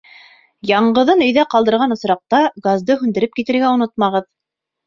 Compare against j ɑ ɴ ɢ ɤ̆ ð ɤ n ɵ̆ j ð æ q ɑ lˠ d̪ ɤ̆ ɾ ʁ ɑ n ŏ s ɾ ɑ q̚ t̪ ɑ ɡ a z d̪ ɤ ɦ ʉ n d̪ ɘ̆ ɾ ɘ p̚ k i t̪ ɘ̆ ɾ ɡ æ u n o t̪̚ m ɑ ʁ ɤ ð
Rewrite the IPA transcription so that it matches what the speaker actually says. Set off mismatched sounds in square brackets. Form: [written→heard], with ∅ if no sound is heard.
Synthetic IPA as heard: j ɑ ɴ ɢ ɤ̆ ð ɤ n ɵ̆ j ð æ q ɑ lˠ d̪ ɤ̆ ɾ ʁ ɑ n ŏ s ɾ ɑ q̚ t̪ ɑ ɡ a z d̪ ɤ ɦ ʉ n d̪ ɘ̆ ɾ ɘ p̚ k i t̪ ɘ̆ ɾ ɡ æ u n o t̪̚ m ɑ ʁ ɤ ð